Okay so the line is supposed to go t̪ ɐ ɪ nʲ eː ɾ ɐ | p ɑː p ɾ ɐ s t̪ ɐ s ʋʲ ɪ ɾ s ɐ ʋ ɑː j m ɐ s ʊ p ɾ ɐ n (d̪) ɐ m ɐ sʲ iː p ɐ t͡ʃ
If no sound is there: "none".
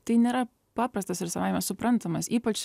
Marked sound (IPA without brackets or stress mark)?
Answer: t̪